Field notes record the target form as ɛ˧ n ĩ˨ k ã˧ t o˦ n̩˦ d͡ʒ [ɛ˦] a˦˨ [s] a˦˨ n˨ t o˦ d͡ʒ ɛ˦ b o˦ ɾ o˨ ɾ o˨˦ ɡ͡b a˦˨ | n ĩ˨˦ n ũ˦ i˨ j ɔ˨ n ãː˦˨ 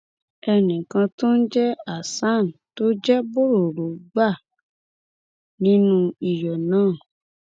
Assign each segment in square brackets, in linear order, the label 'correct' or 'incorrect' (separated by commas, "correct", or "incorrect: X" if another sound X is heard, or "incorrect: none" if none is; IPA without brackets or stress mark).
correct, correct